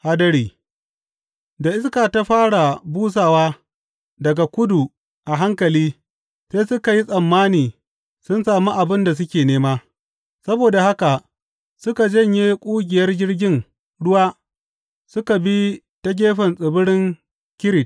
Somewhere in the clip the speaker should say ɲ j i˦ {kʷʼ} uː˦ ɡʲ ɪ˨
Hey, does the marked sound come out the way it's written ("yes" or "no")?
yes